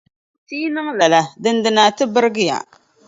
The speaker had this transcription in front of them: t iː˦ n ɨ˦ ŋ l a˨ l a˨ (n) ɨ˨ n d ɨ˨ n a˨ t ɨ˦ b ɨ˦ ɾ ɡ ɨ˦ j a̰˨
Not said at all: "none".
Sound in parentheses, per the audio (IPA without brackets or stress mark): d